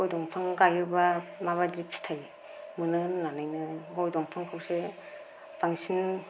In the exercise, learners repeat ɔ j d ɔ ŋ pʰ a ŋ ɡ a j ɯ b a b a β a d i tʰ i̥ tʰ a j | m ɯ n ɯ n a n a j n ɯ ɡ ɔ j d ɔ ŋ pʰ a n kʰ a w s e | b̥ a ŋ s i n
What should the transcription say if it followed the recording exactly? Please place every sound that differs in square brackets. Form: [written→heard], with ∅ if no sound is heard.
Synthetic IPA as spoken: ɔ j d ɔ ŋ pʰ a ŋ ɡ a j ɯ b a [b→m] a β a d i [tʰ→pʰ] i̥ tʰ a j | m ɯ n ɯ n a n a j n ɯ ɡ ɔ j d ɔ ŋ pʰ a [n→ŋ] kʰ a w s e | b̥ a ŋ s i n